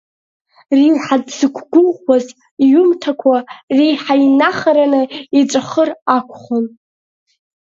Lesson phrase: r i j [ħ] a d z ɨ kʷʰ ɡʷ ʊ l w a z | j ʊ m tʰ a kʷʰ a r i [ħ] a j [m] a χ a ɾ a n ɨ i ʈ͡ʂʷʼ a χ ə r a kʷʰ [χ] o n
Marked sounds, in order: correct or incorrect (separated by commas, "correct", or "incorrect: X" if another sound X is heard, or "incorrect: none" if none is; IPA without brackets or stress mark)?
correct, correct, incorrect: n, correct